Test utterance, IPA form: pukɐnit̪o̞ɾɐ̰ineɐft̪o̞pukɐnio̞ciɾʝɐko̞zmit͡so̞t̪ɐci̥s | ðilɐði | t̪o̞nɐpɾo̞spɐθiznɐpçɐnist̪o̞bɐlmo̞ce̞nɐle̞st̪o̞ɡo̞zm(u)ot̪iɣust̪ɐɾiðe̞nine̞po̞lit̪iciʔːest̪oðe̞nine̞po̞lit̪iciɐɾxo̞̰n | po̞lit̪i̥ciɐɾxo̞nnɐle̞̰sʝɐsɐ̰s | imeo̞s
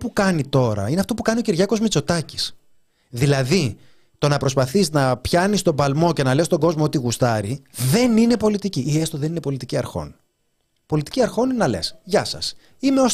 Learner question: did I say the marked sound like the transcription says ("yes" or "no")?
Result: no